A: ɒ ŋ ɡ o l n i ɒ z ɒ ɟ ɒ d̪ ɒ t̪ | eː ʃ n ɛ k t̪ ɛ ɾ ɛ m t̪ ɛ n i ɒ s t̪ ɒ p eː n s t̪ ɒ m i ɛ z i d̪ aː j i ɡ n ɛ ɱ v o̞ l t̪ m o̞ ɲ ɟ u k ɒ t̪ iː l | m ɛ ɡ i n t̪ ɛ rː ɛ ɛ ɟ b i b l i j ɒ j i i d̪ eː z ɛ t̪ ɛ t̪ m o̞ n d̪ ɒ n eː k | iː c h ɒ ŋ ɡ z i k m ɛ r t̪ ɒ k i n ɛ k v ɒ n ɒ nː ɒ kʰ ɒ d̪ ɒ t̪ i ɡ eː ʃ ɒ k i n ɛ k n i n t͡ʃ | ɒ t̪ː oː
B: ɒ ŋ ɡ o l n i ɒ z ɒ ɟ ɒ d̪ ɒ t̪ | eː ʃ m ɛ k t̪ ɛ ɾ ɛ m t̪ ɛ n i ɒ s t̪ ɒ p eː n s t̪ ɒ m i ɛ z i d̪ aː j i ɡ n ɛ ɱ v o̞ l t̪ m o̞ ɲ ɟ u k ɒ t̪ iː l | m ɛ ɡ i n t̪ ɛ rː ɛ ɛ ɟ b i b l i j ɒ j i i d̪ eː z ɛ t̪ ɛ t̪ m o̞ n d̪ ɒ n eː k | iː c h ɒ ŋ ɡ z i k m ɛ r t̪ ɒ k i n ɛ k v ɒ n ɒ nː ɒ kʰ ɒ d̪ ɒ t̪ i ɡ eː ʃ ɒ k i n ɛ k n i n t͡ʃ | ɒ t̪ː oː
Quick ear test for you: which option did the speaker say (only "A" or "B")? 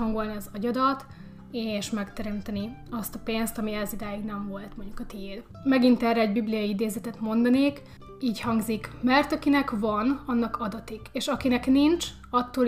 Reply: B